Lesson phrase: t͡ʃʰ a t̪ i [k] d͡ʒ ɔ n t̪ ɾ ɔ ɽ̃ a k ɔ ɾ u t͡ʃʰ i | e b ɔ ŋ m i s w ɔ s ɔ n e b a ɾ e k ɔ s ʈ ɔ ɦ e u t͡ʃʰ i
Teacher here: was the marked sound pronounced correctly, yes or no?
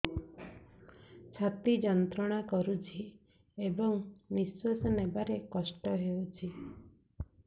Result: no